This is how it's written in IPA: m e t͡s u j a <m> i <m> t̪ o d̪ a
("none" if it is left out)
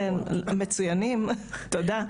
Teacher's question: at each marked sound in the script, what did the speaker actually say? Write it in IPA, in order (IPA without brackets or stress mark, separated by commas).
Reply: n, m